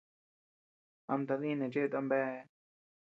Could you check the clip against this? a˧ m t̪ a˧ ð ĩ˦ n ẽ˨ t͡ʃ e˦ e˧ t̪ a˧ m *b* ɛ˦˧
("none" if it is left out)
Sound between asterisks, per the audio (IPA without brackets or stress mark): b